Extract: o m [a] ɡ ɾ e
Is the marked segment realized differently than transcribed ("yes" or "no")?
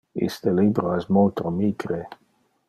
yes